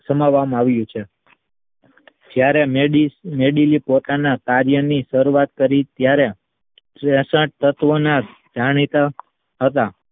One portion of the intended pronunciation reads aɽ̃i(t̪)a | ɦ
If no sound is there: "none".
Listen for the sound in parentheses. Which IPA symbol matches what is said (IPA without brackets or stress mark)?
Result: t̪